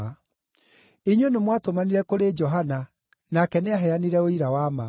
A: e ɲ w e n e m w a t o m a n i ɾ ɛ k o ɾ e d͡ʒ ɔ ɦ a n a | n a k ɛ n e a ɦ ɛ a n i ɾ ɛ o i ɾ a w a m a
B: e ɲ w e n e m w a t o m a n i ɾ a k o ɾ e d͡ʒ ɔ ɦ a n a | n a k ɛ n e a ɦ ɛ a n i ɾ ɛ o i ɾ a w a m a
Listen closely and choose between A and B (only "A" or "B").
A